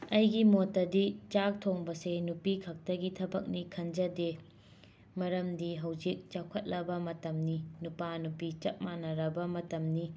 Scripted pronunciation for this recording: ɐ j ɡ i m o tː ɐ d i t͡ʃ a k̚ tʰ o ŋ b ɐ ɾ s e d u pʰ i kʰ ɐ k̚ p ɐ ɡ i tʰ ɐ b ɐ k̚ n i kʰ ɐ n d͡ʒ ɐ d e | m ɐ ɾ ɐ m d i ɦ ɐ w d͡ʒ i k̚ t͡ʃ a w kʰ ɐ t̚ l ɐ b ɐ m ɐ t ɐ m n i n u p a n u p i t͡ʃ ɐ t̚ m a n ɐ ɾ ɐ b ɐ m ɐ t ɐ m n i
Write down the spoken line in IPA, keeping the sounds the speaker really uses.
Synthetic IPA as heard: ɐ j ɡ i m o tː ɐ d i t͡ʃ a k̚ tʰ o ŋ b ɐ s e n u p i kʰ ɐ k̚ t ɐ ɡ i tʰ ɐ b ɐ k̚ n i kʰ ɐ n d͡ʒ ɐ d e | m ɐ ɾ ɐ m d i ɦ ɐ w d͡ʒ i k̚ t͡ʃ a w kʰ ɐ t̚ l ɐ b ɐ m ɐ t ɐ m n i n u p a n u p i t͡ʃ ɐ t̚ m a n ɐ ɾ ɐ b ɐ m ɐ t ɐ m n i